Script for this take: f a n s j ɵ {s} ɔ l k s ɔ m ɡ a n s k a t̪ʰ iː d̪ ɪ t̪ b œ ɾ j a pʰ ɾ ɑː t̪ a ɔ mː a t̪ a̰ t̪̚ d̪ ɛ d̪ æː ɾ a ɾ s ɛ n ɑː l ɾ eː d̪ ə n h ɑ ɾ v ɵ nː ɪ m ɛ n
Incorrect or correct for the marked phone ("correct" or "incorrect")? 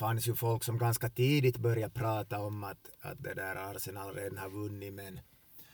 incorrect